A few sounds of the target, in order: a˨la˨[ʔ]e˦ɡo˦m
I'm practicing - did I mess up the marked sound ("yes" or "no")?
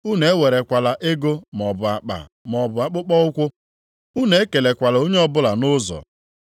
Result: no